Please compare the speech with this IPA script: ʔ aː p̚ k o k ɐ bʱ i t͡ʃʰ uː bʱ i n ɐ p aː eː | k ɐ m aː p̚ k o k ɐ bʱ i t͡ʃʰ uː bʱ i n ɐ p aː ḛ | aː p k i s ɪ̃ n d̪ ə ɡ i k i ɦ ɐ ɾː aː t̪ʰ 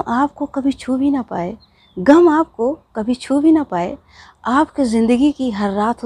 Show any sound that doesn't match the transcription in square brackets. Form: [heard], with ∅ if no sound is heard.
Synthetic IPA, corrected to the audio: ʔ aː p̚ k o k ɐ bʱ i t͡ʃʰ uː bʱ i n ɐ p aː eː | [ɡ] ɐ m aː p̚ k o k ɐ bʱ i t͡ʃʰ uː bʱ i n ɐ p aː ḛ | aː p k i [z] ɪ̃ n d̪ ə ɡ i k i ɦ ɐ ɾː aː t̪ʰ